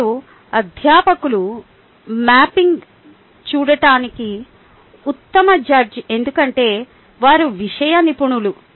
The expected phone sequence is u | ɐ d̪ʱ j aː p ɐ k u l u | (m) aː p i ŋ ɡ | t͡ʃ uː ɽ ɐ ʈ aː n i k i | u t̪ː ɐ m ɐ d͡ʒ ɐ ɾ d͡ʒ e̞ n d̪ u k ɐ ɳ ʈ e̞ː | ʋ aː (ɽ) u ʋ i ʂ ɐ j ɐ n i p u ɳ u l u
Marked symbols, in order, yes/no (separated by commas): yes, no